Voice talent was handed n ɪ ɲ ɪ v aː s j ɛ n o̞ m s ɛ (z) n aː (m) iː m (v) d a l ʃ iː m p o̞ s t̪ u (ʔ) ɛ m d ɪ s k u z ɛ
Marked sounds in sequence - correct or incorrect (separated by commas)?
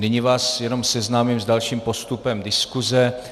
correct, correct, incorrect, incorrect